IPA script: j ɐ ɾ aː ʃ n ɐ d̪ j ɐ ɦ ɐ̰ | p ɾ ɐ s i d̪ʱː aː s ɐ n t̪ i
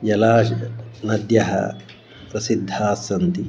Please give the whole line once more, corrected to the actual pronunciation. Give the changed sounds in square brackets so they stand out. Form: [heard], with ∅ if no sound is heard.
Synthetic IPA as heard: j ɐ [l] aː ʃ n ɐ d̪ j ɐ ɦ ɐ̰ | p ɾ ɐ s i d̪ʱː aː s ɐ n t̪ i